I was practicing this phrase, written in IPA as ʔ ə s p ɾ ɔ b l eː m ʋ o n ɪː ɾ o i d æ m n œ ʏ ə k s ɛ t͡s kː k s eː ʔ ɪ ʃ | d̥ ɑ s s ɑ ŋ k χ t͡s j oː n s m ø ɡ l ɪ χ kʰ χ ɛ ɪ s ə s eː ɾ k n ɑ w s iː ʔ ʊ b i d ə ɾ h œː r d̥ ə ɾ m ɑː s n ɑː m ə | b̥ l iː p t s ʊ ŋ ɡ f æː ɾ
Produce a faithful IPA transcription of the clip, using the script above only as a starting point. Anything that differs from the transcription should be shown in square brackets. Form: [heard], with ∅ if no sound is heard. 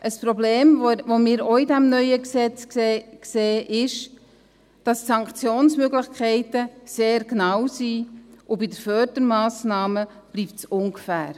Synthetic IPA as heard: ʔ ə s p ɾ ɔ b l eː m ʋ o [m] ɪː ɾ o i d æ m n œ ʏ ə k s ɛ t͡s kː k s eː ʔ ɪ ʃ | d̥ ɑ s s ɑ ŋ k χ t͡s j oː n s m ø ɡ l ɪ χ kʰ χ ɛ ɪ [t] ə s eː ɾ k n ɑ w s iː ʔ ʊ b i d ə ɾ [f] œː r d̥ ə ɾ m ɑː s n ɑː m ə | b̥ l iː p t s ʊ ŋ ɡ f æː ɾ